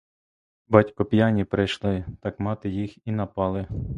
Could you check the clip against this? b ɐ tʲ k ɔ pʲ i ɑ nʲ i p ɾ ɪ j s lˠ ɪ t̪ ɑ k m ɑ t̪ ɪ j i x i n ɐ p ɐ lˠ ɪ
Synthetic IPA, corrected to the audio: b ɑ tʲ k ɔ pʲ j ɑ nʲ i p ɾ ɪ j ʃ lˠ ɪ t̪ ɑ k m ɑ t̪ ɪ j i x i n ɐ p ɑ lˠ ɪ

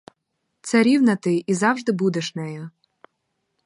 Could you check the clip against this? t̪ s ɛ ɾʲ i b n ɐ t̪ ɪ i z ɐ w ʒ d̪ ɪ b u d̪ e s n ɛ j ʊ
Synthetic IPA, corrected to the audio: t̪ s ɛ ɾʲ i w n ɐ t̪ ɪ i z ɑ w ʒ d̪ ɪ b u d̪ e ʃ n ɛ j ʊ

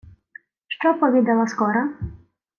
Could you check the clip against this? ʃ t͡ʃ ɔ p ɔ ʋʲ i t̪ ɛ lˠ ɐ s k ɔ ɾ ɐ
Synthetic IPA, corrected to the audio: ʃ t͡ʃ ɔ p ɔ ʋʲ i d̪ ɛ lˠ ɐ s k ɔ ɾ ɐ

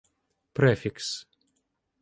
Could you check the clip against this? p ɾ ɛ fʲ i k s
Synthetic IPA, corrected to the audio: p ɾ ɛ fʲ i k s

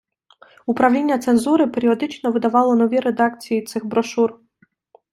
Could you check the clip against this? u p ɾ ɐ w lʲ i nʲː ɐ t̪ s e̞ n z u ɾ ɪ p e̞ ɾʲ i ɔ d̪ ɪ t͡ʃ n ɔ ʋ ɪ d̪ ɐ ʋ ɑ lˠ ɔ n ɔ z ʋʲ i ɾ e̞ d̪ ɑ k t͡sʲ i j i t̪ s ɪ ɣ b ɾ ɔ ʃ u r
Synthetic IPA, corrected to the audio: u p ɾ ɐ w lʲ i nʲː ɐ t̪ s e̞ n z u ɾ ɪ p e̞ ɾʲ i ɔ d̪ ɪ t͡ʃ n ɔ ʋ ɪ d̪ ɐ ʋ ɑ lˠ ɔ n ɔ ʋʲ i ɾ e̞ d̪ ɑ k t͡sʲ i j i t̪ s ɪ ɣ b ɾ ɔ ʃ u r

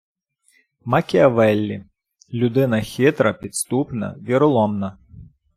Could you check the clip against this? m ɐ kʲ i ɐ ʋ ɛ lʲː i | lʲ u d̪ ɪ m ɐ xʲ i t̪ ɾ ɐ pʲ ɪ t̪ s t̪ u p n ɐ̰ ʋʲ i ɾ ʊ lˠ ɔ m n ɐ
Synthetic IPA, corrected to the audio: m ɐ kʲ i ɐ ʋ ɛ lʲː i | lʲ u d̪ ɪ n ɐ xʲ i t̪ ɾ ɐ pʲ i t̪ s t̪ u p n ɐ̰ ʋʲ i ɾ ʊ lˠ ɔ m n ɐ

